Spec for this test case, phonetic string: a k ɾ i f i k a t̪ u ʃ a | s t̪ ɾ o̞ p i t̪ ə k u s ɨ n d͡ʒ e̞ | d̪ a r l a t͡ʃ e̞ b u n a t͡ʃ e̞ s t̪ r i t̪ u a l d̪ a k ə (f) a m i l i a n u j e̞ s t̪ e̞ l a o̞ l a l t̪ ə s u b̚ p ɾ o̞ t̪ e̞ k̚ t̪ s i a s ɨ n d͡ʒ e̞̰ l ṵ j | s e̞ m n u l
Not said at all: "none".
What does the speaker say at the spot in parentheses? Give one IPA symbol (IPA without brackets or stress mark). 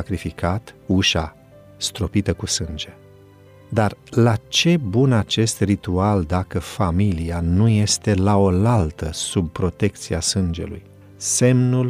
f